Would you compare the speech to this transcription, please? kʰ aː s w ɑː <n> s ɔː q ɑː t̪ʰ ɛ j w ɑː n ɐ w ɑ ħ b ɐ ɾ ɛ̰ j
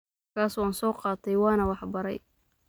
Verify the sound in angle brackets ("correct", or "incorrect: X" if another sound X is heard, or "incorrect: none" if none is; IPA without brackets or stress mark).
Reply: correct